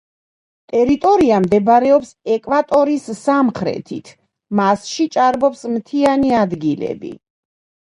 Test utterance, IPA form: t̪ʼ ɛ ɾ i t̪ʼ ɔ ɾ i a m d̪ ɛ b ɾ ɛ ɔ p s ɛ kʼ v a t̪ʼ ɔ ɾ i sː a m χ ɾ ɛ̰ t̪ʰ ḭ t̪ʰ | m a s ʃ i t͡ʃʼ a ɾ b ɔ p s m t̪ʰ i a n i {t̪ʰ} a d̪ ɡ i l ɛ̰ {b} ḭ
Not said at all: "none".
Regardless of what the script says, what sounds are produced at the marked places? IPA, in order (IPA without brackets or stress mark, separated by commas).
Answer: none, b